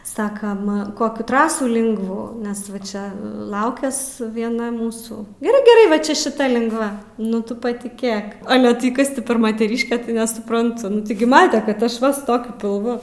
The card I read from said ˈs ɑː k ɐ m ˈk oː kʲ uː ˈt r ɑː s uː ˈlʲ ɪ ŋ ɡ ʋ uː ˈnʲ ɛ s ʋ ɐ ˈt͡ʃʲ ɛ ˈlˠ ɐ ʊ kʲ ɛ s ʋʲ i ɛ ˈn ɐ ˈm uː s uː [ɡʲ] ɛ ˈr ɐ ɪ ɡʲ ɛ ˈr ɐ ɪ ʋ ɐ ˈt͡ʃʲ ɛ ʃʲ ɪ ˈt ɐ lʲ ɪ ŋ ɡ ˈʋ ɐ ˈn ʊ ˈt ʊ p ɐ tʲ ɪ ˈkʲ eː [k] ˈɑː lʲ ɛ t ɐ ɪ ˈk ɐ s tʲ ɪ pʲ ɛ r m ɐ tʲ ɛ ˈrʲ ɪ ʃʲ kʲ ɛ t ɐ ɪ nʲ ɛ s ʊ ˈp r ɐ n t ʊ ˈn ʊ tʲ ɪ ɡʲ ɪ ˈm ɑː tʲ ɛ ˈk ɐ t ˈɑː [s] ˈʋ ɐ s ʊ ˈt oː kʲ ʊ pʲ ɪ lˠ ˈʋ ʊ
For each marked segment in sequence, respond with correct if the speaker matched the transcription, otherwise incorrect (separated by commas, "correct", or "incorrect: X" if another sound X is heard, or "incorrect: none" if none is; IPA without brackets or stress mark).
correct, correct, incorrect: ʃ